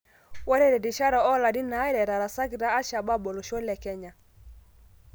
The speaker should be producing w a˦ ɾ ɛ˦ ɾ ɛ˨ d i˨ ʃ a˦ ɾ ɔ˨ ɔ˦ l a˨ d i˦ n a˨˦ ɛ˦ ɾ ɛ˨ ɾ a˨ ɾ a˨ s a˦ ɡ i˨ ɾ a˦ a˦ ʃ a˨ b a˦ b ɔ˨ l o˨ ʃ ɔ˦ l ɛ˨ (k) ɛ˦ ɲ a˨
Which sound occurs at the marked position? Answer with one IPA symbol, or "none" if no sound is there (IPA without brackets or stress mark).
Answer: k